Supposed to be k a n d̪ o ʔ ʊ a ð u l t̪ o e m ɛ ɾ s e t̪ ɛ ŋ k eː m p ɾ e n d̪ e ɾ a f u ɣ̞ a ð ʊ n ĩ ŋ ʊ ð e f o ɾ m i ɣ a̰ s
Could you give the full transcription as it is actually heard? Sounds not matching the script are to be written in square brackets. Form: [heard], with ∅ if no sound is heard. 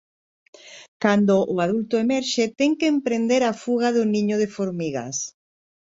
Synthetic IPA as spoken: k a n d̪ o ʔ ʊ a ð u l t̪ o e m ɛ ɾ [ʃ] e t̪ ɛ ŋ k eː m p ɾ e n d̪ e ɾ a f u ɣ̞ a ð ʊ n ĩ [ɲ] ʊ ð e f o ɾ m i ɣ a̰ s